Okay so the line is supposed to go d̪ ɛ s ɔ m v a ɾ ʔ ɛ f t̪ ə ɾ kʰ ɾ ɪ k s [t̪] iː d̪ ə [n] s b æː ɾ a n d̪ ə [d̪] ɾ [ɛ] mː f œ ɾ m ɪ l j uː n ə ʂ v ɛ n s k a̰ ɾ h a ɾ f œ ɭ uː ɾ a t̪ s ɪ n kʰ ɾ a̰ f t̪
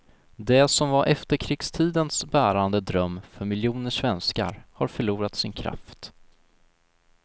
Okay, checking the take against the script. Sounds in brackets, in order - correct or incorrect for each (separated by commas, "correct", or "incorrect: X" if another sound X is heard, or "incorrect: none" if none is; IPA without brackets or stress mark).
incorrect: t̪ʰ, correct, correct, incorrect: œ